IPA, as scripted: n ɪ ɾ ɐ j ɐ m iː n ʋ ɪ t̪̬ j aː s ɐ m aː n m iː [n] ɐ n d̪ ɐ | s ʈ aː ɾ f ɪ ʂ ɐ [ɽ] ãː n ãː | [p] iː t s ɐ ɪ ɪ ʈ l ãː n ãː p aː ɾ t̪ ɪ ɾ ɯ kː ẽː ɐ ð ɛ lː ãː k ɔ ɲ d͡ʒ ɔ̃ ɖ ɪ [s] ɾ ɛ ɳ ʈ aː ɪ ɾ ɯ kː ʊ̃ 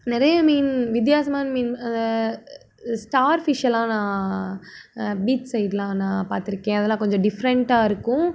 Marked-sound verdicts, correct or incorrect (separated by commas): correct, incorrect, incorrect, incorrect